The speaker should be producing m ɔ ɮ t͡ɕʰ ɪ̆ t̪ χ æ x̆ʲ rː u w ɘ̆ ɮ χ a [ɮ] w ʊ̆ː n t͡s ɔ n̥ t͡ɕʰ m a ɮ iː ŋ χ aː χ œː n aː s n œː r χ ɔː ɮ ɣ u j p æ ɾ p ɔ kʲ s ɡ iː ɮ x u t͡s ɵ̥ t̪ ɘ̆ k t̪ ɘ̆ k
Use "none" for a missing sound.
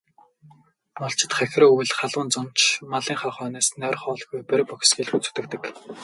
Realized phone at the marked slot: ɮ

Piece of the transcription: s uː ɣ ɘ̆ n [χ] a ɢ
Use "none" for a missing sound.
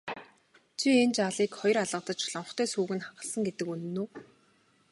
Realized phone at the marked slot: χ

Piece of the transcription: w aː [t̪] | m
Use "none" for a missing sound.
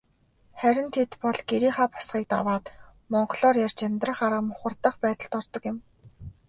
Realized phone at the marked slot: t̪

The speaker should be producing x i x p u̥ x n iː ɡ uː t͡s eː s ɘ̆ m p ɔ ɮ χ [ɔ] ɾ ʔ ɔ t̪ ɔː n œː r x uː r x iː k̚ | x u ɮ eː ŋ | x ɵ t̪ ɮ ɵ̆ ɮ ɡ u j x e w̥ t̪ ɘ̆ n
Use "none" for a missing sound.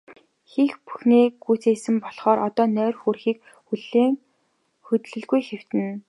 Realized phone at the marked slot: ɔː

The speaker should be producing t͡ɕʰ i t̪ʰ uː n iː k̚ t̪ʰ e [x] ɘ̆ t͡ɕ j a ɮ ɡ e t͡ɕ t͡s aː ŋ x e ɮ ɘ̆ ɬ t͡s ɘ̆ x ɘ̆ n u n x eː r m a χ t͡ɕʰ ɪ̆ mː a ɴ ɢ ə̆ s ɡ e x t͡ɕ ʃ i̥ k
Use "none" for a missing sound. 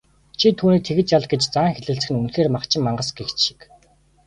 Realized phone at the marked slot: ɣ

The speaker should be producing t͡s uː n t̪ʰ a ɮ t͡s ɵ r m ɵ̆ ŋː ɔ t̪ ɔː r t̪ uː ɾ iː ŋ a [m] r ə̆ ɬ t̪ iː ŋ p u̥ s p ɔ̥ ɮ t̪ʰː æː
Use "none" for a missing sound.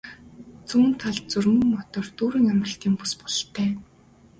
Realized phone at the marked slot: m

